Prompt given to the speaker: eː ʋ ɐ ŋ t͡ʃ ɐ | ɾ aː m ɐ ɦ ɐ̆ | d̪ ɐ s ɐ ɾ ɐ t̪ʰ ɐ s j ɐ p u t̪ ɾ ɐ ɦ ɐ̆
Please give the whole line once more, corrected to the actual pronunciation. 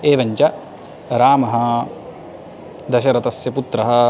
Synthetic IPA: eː ʋ ɐ ɲ t͡ʃ ɐ | ɾ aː m ɐ ɦ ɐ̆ | d̪ ɐ ʃ ɐ ɾ ɐ t̪ ɐ s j ɐ p u t̪ ɾ ɐ ɦ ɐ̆